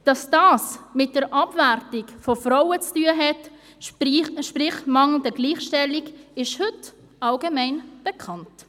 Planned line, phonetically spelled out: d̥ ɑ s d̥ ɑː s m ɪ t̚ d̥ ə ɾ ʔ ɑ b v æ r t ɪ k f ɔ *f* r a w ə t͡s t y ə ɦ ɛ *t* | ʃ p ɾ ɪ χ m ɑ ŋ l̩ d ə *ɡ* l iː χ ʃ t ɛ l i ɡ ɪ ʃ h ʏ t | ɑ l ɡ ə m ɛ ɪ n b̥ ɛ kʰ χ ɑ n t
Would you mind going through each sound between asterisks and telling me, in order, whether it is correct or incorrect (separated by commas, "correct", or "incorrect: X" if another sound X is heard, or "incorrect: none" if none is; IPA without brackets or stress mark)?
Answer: correct, correct, correct